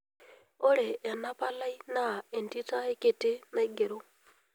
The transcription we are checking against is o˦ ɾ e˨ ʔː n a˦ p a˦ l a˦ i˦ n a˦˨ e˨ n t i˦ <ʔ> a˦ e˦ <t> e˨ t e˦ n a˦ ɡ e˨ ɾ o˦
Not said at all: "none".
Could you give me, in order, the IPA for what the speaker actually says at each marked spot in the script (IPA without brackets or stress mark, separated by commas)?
t, k